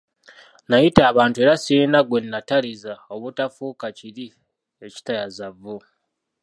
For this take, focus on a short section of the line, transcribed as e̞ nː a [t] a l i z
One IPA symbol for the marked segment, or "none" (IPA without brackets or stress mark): t